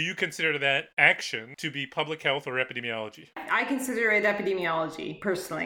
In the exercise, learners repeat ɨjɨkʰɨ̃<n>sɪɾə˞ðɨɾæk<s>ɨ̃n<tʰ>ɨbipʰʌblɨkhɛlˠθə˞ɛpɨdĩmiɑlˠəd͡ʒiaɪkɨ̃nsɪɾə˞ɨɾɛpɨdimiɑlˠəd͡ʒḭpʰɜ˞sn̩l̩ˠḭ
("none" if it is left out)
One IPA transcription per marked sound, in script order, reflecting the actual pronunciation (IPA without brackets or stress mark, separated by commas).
n, ʃ, tʰ